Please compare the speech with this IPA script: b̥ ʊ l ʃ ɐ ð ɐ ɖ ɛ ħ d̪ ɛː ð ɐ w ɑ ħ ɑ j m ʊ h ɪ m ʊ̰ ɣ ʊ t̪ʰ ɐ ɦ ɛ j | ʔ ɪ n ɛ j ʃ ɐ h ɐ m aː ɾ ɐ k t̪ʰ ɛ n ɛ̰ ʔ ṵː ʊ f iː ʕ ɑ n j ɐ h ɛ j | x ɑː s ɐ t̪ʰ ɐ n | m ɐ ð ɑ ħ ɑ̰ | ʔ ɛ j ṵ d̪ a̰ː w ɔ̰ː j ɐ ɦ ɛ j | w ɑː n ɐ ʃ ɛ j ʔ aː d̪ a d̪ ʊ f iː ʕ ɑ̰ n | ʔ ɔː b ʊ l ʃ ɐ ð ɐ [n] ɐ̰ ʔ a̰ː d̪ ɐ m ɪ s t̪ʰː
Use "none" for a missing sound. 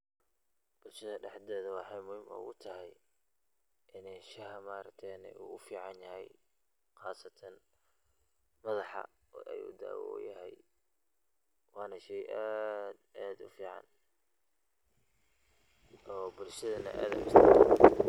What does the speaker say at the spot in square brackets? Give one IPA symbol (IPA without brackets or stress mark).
n